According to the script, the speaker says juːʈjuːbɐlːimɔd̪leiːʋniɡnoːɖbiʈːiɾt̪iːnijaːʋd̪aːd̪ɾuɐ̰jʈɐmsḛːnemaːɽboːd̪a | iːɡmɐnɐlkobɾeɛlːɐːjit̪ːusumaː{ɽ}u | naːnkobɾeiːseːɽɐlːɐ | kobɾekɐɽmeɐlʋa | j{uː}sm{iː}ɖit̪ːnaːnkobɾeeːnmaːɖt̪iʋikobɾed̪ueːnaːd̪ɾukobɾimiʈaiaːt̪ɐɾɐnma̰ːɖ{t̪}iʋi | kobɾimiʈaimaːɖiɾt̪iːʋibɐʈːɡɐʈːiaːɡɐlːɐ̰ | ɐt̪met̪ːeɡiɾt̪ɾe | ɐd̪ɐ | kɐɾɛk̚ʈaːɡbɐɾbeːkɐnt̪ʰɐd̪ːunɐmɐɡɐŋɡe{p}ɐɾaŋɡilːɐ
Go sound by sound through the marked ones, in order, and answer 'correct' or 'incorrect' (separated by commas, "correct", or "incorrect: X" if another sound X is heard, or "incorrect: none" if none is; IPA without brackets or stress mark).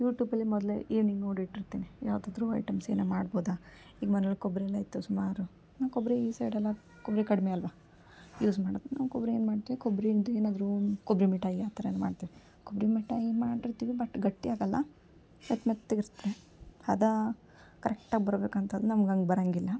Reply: incorrect: ɾ, correct, incorrect: aː, correct, incorrect: b